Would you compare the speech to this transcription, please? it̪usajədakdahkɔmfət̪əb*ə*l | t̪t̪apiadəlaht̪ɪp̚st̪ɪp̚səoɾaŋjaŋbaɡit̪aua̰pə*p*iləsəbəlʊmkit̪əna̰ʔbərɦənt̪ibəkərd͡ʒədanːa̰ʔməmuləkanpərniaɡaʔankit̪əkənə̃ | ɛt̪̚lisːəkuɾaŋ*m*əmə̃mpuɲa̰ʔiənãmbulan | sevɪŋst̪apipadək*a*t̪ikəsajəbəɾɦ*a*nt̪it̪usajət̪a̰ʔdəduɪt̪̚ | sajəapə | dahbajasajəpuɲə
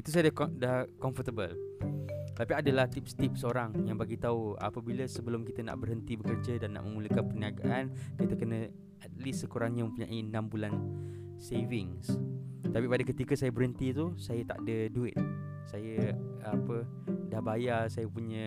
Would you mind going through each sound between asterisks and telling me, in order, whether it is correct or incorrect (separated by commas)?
correct, incorrect, incorrect, incorrect, incorrect